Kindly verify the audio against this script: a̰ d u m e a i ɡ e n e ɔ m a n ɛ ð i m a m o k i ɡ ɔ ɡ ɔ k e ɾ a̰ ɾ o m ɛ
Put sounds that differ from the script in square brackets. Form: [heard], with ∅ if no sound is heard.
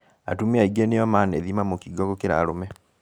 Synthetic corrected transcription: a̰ [t] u m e a i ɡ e n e ɔ m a n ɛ ð i m a m o k i ɡ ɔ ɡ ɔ k e ɾ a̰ ɾ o m ɛ